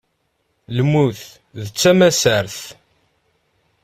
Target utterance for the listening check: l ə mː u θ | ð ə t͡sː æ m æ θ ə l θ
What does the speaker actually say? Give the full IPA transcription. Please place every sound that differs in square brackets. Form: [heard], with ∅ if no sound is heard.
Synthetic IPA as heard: l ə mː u θ | ð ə t͡sː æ m æ [s] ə [ɾ] θ